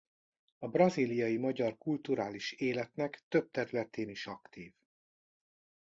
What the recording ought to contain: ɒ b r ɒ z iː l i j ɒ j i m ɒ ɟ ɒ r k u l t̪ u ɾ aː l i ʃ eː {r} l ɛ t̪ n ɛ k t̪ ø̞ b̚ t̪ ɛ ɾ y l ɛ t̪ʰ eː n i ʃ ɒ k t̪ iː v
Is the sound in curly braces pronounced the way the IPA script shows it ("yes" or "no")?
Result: no